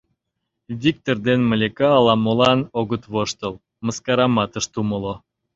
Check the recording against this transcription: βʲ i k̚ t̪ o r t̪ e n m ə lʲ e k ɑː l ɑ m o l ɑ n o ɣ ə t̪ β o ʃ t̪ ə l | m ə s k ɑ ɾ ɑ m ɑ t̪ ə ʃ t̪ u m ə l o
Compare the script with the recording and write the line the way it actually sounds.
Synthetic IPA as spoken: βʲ i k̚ t̪ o r d̪ e n m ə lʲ e k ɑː l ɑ m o l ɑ n o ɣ ə t̪ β o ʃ t̪ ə l | m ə s k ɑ ɾ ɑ m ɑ t̪ ə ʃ t̪ u m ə l o